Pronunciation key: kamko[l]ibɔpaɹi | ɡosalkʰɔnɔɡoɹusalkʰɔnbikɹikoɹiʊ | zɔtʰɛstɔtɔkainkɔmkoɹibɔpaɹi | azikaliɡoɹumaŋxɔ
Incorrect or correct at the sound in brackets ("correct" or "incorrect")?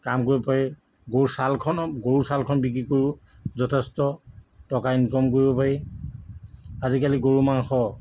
incorrect